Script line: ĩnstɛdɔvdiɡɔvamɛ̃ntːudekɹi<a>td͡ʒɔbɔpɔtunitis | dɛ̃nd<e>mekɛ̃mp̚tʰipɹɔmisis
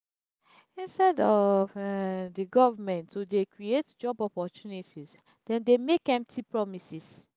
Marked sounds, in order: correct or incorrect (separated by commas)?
incorrect, correct